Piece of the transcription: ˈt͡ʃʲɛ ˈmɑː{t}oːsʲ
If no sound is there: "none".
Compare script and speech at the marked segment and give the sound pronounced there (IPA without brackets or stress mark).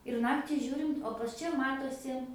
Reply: t